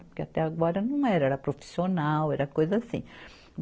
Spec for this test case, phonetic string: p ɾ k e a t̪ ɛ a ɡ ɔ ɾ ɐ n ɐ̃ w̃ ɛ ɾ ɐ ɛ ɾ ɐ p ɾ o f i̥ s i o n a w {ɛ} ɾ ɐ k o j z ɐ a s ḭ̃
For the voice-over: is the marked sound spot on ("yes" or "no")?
yes